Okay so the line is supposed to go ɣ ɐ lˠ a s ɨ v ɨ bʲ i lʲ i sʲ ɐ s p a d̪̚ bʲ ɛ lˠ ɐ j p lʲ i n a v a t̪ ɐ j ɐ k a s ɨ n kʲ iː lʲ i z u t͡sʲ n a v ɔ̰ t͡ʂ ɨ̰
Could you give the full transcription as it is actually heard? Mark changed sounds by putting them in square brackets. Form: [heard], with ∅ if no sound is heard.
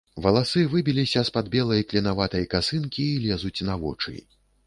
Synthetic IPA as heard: [v] ɐ lˠ a s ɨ v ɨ bʲ i lʲ i sʲ ɐ s p a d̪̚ bʲ ɛ lˠ ɐ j [k] lʲ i n a v a t̪ ɐ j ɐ k a s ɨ n kʲ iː lʲ [ɛ] z u t͡sʲ n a v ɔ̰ t͡ʂ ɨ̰